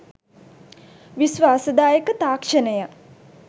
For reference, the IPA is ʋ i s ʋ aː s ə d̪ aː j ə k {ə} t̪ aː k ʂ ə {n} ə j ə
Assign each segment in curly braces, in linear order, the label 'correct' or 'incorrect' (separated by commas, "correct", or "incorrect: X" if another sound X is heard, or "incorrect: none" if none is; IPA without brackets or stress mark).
correct, correct